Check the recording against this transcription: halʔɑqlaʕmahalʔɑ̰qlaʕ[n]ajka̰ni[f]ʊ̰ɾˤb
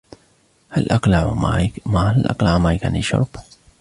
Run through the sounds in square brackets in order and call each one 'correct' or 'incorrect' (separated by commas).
incorrect, incorrect